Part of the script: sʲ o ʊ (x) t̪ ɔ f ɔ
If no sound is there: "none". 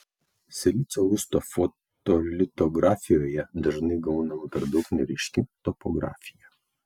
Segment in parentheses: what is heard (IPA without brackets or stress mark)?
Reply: s